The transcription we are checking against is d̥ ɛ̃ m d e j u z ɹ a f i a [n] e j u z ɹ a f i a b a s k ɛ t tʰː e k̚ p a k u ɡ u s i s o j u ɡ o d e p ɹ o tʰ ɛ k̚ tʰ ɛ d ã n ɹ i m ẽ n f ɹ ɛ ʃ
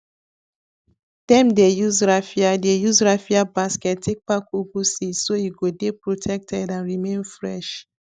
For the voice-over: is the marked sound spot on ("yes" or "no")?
no